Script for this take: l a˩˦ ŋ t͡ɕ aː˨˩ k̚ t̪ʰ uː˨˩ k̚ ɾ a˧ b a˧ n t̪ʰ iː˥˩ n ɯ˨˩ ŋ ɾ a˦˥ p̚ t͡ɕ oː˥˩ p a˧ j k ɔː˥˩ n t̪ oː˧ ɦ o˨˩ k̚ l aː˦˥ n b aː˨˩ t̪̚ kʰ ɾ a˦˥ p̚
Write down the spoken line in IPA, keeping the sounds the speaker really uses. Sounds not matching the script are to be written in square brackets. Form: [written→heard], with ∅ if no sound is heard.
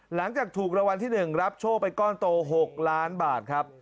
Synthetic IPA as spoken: l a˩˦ ŋ t͡ɕ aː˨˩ k̚ t̪ʰ uː˨˩ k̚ ɾ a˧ [b→w] a˧ n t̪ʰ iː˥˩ n ɯ˨˩ ŋ ɾ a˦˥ p̚ [t͡ɕ→t͡ɕʰ] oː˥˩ p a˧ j k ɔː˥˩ n t̪ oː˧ ɦ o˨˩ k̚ l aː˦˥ n b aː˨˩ t̪̚ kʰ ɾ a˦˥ p̚